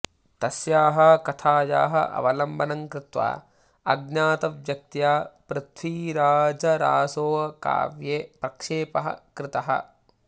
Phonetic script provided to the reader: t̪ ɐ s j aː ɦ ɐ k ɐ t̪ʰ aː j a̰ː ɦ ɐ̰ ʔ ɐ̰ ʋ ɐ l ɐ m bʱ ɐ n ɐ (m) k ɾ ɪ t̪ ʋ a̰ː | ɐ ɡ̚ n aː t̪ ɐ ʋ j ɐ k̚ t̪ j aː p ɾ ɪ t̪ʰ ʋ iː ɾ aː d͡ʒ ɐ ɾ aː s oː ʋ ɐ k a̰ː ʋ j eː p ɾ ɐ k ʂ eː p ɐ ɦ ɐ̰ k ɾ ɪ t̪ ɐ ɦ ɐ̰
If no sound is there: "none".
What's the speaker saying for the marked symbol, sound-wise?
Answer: ŋ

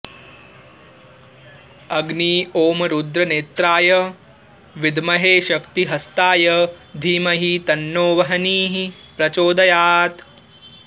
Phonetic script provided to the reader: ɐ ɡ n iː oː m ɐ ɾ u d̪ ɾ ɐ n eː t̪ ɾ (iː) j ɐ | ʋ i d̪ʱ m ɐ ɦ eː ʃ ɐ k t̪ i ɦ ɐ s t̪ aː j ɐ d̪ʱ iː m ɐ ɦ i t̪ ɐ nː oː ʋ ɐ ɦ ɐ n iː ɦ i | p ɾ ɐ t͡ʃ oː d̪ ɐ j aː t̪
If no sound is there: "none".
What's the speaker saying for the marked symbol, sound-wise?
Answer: aː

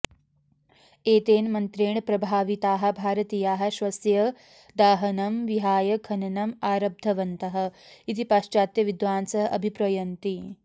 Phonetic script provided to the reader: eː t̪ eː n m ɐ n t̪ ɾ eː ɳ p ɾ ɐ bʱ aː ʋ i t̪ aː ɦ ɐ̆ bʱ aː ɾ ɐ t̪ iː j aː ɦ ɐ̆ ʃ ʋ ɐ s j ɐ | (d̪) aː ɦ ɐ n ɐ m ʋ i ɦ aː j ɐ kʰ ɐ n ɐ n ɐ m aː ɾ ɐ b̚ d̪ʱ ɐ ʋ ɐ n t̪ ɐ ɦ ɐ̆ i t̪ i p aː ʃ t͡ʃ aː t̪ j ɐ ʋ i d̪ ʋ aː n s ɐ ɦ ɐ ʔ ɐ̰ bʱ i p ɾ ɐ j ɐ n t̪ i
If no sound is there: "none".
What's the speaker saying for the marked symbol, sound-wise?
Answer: d̪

